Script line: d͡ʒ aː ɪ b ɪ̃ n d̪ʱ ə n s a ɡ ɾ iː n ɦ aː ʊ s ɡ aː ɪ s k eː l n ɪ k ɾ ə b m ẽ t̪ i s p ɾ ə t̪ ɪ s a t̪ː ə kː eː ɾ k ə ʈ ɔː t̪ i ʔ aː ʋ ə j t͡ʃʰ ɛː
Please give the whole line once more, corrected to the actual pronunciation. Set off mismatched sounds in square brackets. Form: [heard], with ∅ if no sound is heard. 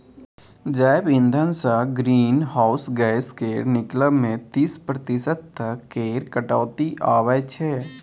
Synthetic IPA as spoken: d͡ʒ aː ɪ b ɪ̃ n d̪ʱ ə n s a ɡ ɾ iː n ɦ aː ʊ s ɡ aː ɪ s k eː [ɾ] n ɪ k [l] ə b m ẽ t̪ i s p ɾ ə t̪ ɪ s [ə] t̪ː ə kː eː ɾ k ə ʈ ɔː t̪ i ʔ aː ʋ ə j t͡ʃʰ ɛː